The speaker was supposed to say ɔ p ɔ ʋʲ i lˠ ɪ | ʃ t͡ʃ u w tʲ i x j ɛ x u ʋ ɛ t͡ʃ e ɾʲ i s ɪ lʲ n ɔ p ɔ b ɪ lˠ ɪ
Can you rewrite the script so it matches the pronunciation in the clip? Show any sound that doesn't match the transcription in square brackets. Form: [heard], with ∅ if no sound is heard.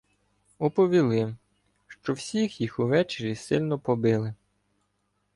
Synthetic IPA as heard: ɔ p ɔ ʋʲ i lˠ ɪ | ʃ t͡ʃ [ɔ] w [sʲ] i x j [i] x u ʋ ɛ t͡ʃ e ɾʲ i s ɪ lʲ n ɔ p ɔ b ɪ lˠ ɪ